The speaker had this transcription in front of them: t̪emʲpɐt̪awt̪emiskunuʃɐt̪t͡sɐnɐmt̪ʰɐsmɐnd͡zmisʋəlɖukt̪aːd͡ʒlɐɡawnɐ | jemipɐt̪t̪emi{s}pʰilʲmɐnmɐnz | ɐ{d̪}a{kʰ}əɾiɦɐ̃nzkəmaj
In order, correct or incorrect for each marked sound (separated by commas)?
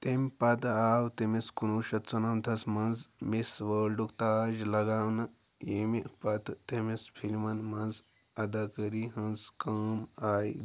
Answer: correct, correct, incorrect